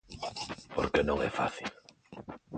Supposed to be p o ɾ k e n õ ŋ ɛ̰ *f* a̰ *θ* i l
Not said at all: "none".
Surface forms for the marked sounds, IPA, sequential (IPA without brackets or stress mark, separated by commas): f, θ